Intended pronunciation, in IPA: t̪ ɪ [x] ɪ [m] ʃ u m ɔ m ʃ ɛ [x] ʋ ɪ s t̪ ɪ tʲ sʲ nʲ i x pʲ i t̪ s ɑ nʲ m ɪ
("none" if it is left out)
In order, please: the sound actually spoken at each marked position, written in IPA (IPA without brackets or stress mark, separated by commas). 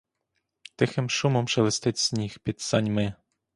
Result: x, m, none